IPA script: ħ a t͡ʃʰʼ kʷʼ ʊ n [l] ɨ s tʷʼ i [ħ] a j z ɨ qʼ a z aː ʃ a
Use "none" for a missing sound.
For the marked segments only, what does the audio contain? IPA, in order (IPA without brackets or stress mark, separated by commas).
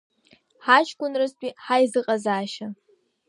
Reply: r, ħ